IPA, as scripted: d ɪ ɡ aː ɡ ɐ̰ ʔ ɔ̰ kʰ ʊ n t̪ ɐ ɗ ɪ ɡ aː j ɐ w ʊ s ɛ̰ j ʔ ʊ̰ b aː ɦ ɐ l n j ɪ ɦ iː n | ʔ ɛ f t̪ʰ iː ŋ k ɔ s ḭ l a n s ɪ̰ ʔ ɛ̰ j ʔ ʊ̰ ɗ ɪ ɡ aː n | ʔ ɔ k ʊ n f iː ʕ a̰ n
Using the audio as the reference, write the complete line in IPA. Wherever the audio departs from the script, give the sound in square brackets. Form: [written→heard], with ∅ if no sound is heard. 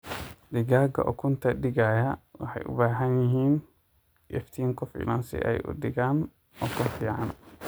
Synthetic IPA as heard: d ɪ ɡ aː ɡ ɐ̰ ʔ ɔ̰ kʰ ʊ n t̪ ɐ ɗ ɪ ɡ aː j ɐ w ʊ [s→ħ] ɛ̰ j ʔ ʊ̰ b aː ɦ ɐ [l→∅] n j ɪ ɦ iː n | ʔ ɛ f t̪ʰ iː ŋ k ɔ [s→f] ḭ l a n s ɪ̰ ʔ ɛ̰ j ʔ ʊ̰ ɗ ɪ ɡ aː n | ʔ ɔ k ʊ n f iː ʕ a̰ n